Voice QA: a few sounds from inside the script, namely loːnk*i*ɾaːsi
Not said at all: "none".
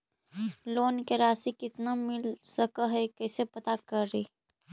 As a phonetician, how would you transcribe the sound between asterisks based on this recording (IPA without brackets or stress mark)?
e